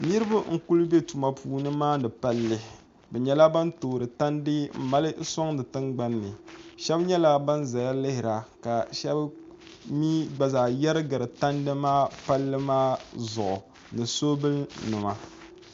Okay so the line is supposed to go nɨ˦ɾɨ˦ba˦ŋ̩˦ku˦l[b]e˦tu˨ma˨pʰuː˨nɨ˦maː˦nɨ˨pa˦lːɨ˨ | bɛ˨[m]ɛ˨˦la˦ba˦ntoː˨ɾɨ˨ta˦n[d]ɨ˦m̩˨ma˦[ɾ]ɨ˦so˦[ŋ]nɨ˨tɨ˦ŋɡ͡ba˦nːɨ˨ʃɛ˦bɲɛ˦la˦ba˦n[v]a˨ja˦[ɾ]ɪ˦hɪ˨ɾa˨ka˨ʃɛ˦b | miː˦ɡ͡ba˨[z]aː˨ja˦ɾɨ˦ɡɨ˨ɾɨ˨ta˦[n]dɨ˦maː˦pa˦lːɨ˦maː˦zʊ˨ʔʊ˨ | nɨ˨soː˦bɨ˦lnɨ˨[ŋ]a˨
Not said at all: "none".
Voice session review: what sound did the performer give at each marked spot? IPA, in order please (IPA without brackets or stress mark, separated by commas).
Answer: b, ɲ, d, l, ŋ, z, l, z, n, m